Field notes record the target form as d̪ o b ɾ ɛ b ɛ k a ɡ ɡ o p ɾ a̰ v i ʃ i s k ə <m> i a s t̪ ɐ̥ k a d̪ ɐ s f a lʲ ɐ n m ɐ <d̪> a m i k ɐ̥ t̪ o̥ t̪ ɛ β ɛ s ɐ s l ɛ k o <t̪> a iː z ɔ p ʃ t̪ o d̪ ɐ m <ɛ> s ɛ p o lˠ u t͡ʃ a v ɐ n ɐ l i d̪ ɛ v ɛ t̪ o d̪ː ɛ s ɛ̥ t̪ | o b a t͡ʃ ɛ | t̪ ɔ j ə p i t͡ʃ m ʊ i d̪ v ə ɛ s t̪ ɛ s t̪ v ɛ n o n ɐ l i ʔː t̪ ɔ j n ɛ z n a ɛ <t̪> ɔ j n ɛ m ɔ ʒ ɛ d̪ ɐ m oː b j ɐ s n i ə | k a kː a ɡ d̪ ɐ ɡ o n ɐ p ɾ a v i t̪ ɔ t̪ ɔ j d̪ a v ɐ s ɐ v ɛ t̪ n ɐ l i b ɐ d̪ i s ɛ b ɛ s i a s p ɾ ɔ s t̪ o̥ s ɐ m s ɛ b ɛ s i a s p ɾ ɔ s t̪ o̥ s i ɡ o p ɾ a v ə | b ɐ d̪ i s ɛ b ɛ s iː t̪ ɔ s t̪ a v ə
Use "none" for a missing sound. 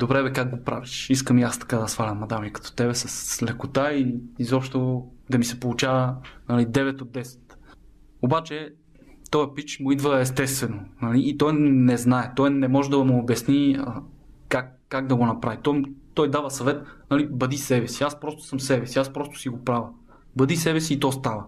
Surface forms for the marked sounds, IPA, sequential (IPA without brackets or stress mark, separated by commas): m, d̪, t̪, i, t̪